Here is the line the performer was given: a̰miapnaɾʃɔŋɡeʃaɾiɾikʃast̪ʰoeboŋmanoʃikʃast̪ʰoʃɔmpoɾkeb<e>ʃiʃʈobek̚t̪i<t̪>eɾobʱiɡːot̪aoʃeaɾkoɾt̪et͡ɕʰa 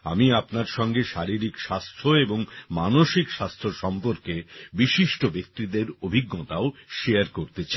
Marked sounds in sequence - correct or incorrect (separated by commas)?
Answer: incorrect, incorrect